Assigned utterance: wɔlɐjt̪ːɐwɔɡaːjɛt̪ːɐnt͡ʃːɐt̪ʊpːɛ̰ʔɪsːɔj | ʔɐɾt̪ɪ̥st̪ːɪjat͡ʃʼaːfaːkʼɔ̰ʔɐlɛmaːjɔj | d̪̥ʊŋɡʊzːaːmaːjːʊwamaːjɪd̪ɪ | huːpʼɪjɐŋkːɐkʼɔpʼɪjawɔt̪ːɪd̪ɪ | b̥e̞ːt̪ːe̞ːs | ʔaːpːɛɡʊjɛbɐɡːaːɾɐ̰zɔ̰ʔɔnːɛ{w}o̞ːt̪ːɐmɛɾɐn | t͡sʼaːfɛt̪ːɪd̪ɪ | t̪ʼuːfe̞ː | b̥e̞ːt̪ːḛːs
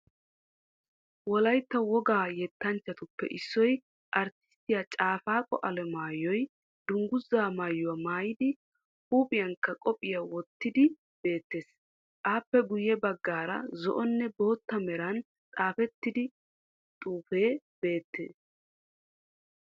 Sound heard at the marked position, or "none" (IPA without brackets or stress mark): b